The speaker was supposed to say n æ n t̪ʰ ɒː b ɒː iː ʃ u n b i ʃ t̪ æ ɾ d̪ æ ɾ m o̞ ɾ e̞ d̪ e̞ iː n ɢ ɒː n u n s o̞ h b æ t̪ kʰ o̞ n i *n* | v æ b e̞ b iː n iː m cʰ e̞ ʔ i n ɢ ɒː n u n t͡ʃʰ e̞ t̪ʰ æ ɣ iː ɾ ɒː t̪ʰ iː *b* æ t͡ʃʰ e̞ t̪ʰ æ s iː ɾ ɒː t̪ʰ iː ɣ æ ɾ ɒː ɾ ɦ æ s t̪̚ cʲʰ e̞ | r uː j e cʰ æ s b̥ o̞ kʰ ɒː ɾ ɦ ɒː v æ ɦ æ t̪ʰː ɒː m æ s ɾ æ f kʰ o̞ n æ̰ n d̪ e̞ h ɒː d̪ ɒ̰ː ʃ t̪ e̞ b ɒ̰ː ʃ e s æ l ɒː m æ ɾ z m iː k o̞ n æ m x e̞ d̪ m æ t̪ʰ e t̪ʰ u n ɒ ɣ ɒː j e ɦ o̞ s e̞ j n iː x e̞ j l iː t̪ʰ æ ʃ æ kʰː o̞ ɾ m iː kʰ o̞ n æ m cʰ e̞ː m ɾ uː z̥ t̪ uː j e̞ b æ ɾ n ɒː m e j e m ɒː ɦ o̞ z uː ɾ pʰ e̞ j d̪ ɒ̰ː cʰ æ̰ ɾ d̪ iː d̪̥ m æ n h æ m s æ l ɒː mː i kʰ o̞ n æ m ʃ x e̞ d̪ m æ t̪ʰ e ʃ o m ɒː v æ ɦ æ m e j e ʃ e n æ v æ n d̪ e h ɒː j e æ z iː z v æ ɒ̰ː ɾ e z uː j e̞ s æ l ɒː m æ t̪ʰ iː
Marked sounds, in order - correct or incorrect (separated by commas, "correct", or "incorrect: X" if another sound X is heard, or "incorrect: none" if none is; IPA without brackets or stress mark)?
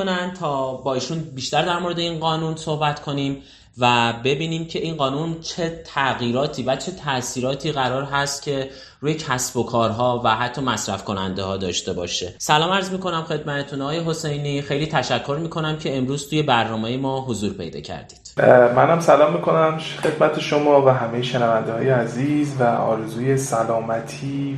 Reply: incorrect: m, incorrect: v